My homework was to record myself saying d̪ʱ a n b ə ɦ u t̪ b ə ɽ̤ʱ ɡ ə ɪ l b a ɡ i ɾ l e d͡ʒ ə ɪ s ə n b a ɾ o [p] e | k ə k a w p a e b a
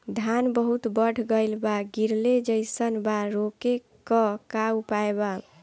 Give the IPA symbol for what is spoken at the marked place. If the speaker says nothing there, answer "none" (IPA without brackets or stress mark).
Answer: k